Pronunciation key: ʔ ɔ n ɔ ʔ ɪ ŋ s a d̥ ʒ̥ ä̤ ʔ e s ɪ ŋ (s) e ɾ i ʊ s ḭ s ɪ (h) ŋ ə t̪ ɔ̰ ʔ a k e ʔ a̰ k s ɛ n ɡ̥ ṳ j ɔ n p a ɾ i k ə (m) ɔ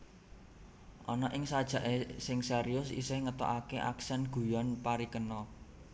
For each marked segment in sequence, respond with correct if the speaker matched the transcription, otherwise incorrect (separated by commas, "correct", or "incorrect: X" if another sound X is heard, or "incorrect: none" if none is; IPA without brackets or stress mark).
correct, correct, incorrect: n